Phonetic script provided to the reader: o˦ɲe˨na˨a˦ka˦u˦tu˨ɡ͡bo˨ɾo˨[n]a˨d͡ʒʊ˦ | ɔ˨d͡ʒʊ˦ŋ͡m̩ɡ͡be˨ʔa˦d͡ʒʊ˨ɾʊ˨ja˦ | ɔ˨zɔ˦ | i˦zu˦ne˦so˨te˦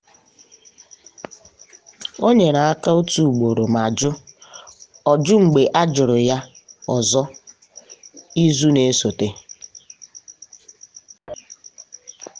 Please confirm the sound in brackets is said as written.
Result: no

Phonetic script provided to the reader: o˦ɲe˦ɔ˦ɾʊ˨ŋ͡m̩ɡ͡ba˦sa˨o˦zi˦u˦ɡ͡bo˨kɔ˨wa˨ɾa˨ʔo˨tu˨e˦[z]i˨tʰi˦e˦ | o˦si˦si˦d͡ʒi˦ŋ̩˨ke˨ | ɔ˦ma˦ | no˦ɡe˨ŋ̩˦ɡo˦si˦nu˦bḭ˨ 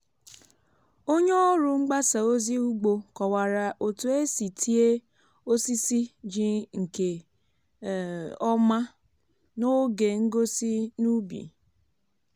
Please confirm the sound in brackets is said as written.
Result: no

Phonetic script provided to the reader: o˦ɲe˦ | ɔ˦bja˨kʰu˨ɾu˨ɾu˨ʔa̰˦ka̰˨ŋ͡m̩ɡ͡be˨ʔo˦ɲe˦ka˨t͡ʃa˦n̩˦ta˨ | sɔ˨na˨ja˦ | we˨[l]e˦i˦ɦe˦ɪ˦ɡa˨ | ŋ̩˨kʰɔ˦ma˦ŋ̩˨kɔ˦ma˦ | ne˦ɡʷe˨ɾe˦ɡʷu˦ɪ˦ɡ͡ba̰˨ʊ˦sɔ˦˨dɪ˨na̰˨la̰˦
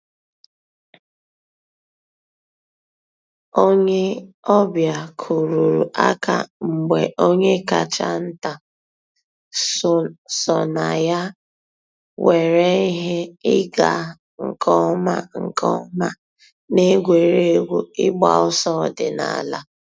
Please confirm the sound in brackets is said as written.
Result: no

